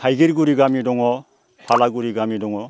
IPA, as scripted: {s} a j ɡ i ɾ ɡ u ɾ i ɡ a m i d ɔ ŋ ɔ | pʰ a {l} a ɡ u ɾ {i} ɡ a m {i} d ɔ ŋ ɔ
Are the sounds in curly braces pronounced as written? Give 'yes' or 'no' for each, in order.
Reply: no, yes, yes, yes

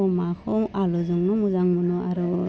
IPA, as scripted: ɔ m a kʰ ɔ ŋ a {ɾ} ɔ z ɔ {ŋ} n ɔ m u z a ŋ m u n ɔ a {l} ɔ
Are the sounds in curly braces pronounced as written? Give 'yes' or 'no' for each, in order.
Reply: no, yes, no

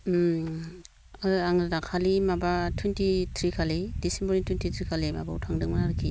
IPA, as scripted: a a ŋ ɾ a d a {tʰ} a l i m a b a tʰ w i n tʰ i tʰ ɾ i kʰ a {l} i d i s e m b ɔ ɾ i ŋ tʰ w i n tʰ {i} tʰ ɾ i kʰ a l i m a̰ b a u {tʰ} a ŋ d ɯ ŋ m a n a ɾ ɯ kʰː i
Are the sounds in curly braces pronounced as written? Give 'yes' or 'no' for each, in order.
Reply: no, yes, yes, yes

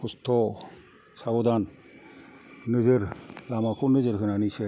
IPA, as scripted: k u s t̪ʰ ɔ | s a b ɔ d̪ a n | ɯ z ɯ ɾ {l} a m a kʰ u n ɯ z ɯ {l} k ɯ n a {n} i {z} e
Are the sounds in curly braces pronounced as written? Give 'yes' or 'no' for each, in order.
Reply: yes, no, yes, no

